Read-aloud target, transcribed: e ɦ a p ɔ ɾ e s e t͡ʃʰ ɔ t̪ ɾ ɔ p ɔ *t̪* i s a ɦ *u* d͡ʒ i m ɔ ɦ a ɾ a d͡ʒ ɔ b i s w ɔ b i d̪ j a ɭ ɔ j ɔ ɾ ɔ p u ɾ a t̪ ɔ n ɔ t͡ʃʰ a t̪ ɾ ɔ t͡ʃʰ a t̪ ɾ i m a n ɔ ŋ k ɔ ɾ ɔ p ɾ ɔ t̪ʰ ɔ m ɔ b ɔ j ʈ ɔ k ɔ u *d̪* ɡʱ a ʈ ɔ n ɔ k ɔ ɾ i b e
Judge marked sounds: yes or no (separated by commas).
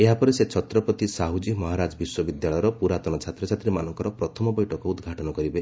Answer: yes, yes, yes